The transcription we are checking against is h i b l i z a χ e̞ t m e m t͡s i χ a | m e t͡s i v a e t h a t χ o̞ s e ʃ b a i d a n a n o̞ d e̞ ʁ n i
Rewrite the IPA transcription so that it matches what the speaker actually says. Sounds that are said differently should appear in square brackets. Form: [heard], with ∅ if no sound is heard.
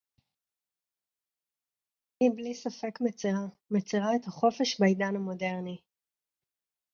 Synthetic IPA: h i b l i [s] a [f] e̞ [k] m e [∅] t͡s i [ʁ] a | m e t͡s i [ʁ] a e t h a [∅] χ o̞ [f] e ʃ b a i d a n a [m] o̞ d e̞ ʁ n i

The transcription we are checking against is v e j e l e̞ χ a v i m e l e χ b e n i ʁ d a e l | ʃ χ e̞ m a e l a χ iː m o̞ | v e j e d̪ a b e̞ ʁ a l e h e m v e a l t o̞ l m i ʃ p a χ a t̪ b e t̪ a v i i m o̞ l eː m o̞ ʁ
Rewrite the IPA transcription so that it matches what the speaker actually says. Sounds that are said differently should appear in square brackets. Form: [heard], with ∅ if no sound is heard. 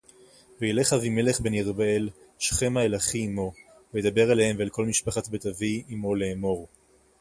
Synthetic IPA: v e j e l e̞ χ a v i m e l e χ b e n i ʁ [b] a e l | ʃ χ e̞ m a e l a χ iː m o̞ | v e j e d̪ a b e̞ ʁ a l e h e m v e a l [k] o̞ l m i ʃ p a χ a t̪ b e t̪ a v i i m o̞ l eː m o̞ ʁ

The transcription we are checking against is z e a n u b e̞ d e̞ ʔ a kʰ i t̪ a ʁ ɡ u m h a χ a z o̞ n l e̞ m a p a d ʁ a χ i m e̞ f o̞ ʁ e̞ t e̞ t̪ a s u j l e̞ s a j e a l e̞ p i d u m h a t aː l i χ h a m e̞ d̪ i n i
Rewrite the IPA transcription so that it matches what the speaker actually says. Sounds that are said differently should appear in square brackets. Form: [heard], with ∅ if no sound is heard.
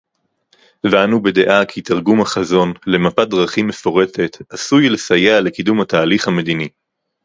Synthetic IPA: [v] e a n u b e̞ d e̞ ʔ a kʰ i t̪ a ʁ ɡ u m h a χ a z o̞ n l e̞ m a p a d ʁ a χ i m e̞ f o̞ ʁ e̞ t e̞ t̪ a s u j l e̞ s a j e a l e̞ [k] i d u m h a t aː l i χ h a m e̞ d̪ i n i

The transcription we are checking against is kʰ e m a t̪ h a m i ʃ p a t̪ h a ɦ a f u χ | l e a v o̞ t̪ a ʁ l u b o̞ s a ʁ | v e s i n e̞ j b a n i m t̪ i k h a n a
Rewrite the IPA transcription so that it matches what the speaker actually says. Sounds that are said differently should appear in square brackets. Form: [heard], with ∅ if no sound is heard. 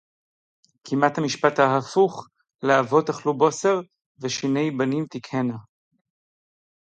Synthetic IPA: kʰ [i] m a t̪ h a m i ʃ p a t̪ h a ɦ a f u χ | l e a v o̞ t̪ a [χ] l u b o̞ s [e] ʁ | v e [ʃ] i n e̞ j b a n i m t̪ i k h [e] n a

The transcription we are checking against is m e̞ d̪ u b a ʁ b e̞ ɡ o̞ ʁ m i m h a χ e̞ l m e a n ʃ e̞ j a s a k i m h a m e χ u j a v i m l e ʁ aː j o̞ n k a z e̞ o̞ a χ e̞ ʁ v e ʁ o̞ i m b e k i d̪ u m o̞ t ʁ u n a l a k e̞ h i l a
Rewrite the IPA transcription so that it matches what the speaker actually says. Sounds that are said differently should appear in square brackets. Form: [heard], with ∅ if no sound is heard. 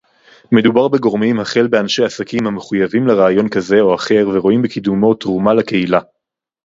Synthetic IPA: m e̞ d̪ u b a ʁ b e̞ ɡ o̞ ʁ m i m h a χ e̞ l [b] e a n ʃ e̞ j a s a k i m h a m e χ u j a v i m l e ʁ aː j o̞ n k a z e̞ o̞ a χ e̞ ʁ v e ʁ o̞ i m b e k i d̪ u m o̞ t ʁ u [m] a l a k e̞ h i l a

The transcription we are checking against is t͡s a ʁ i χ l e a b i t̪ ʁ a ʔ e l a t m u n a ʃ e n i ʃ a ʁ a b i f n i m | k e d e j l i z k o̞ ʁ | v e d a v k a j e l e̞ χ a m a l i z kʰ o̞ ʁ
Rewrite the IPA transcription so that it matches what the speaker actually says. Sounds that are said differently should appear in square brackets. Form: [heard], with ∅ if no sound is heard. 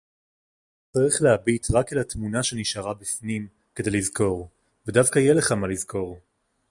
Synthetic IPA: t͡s a ʁ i χ l e a b i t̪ ʁ a [k] e l a t m u n a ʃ e n i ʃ a ʁ a b i f n i m | k e d e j l i z k o̞ ʁ | v e d a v k a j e l e̞ χ a m a l i z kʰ o̞ ʁ

